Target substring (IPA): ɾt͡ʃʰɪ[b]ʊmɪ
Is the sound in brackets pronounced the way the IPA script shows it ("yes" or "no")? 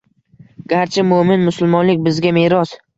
no